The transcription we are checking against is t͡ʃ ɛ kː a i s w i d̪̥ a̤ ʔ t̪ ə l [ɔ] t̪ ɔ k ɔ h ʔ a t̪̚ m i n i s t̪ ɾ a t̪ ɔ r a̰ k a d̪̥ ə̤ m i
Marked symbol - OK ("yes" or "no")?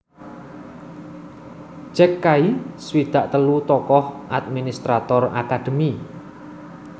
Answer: no